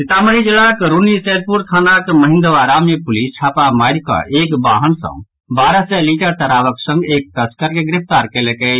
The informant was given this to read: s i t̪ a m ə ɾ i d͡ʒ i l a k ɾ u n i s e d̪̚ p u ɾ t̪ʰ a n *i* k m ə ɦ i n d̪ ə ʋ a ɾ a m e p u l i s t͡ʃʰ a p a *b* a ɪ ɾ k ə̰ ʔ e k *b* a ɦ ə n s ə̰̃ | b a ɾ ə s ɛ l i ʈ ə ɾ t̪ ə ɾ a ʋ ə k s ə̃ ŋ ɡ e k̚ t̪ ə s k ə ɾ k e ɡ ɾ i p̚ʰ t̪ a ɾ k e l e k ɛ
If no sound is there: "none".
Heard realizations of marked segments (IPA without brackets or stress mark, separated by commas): a, m, b